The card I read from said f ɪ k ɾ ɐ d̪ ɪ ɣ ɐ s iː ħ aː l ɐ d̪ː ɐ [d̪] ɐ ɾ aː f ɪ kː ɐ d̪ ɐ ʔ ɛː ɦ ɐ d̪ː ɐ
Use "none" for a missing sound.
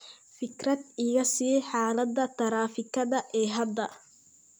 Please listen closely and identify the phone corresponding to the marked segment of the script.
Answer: t̪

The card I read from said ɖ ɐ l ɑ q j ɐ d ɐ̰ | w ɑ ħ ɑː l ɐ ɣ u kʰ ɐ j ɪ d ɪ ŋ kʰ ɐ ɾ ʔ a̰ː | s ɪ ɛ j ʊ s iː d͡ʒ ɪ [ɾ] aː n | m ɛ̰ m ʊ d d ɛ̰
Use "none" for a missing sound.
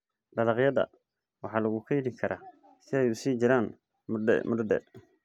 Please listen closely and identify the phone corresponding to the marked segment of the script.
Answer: ɾ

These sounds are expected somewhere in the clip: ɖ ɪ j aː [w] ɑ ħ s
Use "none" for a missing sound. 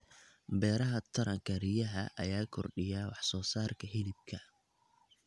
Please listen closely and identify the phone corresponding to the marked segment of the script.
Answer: w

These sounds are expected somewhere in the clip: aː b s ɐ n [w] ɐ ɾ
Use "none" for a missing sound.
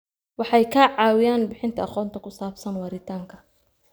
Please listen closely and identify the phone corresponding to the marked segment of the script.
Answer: w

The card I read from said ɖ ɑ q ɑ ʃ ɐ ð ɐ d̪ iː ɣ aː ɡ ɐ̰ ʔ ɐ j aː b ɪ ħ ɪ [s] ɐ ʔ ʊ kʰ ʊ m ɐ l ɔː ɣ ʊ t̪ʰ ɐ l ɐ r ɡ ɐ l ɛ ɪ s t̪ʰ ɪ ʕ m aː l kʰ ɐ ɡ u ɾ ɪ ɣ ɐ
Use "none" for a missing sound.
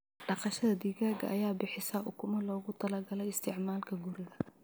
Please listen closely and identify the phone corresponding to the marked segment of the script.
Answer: s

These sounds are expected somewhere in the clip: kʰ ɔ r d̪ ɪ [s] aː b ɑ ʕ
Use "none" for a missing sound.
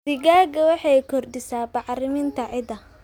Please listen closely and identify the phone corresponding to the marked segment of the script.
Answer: s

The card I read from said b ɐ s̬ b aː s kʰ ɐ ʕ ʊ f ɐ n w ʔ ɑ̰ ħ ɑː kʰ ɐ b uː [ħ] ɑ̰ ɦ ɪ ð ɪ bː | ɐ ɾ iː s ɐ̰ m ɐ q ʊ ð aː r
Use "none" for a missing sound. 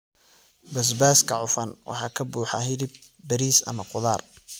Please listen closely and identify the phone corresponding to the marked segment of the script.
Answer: ħ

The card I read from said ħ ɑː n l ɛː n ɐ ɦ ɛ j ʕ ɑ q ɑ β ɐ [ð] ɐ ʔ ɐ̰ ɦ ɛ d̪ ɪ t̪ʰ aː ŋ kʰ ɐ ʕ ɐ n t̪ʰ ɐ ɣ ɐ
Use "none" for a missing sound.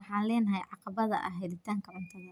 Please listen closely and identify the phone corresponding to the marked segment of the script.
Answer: ð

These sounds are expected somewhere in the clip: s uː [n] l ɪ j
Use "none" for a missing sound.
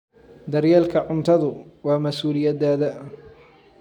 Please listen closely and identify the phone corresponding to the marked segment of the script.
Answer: none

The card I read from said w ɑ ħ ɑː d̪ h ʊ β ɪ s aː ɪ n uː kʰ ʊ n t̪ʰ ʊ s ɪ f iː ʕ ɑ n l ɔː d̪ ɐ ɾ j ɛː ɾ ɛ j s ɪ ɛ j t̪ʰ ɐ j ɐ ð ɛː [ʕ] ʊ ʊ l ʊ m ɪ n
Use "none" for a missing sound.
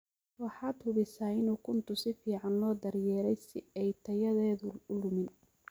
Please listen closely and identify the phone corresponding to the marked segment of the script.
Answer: ð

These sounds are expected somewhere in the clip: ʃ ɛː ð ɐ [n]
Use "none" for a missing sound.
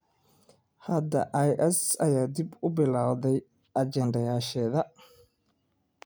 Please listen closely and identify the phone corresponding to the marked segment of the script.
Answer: none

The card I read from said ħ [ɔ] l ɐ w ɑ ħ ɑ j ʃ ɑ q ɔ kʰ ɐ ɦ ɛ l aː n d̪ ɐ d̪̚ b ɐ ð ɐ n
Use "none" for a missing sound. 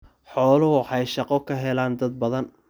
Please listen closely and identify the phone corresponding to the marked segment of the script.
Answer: ɔː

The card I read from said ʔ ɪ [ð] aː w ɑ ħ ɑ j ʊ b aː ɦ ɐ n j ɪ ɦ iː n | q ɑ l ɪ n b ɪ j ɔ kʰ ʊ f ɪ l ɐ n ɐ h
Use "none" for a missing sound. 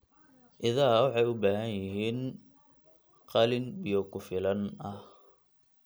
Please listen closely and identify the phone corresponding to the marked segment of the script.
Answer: ð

